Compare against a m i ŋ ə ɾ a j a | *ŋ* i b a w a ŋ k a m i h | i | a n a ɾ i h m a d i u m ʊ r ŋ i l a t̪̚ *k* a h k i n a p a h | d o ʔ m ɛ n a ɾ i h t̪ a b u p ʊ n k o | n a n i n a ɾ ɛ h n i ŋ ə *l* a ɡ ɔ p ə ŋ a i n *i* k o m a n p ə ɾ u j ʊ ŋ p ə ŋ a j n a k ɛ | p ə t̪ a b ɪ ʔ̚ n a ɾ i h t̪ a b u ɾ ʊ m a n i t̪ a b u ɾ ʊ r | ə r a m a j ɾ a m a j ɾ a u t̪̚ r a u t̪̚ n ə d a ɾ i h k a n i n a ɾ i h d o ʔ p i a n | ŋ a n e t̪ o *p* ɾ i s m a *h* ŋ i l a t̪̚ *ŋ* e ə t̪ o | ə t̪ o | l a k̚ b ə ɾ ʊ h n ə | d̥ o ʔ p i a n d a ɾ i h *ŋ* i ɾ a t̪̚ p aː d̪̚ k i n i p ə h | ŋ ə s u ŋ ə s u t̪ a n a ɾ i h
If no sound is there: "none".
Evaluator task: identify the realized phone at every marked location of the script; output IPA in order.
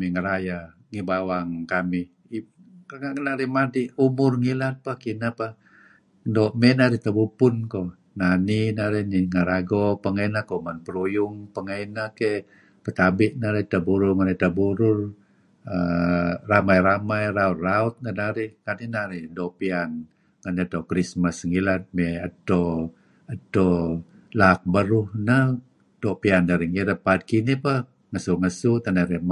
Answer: ŋ, p, ɾ, a, k, s, m, ŋ

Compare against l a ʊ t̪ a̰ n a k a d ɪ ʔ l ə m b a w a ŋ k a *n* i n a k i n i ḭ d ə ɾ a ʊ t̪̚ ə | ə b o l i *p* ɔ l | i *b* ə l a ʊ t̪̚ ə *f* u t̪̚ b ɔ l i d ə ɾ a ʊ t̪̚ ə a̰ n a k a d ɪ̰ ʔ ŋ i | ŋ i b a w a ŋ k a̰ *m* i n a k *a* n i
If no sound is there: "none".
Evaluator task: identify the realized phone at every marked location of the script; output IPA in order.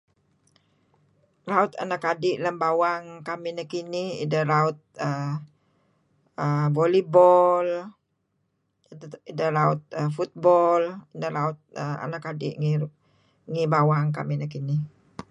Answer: m, b, d, f, m, i

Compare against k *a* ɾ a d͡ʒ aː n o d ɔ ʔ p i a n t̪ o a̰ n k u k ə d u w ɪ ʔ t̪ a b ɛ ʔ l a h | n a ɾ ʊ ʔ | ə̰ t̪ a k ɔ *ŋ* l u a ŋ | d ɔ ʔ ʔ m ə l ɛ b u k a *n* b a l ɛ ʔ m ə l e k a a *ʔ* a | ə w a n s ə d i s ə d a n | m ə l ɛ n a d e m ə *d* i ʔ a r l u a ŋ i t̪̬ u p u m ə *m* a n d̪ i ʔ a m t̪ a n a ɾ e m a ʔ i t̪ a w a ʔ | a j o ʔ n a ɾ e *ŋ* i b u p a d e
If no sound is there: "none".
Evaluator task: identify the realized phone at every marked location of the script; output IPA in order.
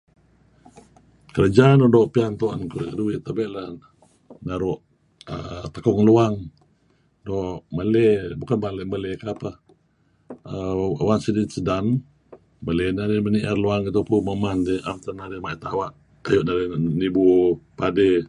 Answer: ə, ŋ, n, p, n, m, n

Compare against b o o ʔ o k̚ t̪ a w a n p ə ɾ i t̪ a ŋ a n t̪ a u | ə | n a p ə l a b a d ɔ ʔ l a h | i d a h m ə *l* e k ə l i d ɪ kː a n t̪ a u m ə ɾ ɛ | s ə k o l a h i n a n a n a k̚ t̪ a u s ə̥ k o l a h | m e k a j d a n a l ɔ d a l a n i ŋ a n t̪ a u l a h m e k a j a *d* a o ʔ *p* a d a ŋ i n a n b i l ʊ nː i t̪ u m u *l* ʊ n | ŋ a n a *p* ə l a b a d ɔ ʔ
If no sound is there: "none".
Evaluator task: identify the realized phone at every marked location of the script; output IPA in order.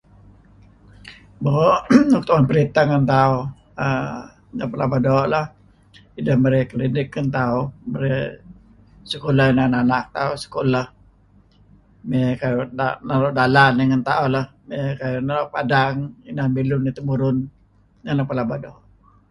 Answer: ɾ, n, p, ɾ, p

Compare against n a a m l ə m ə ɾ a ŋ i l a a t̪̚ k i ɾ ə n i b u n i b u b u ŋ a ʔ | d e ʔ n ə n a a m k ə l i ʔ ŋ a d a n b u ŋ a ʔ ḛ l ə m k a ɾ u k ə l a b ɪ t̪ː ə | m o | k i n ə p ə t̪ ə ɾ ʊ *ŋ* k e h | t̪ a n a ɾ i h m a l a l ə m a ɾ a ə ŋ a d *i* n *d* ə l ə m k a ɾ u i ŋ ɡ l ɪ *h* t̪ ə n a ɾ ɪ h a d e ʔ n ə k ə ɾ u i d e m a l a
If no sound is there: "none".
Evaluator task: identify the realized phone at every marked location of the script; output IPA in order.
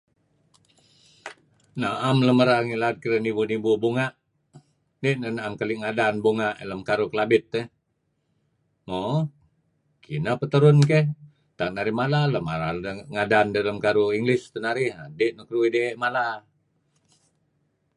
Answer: n, a, d, s

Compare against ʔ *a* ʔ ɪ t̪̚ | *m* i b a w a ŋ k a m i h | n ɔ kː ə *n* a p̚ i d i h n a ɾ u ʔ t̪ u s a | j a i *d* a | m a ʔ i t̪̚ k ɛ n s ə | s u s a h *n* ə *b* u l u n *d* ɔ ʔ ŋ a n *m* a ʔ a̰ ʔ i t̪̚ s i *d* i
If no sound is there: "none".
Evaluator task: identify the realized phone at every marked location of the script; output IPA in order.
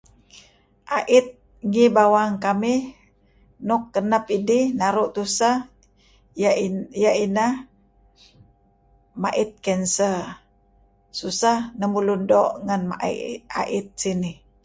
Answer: a, ŋ, n, n, n, m, d, m, n

